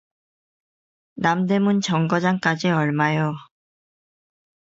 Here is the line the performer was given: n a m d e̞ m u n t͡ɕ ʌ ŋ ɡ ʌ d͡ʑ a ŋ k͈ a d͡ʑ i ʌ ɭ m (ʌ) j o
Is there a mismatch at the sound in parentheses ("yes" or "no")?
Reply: yes